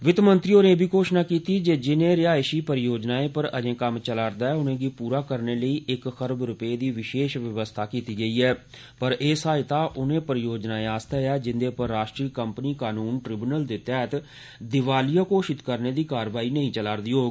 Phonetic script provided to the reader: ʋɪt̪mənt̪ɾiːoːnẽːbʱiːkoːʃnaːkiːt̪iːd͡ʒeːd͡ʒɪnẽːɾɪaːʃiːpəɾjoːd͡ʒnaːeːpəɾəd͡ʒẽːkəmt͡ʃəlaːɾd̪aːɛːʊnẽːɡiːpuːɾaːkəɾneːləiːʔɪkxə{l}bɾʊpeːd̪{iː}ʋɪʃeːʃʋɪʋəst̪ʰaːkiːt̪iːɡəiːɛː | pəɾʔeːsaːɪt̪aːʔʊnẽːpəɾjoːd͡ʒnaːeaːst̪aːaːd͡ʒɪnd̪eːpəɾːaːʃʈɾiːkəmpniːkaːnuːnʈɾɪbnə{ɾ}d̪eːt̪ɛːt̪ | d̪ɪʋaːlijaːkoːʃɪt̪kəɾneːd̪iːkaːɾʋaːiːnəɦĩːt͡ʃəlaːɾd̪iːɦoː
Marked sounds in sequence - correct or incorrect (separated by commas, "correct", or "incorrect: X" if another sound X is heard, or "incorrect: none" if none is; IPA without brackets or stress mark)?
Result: incorrect: ɾ, correct, incorrect: l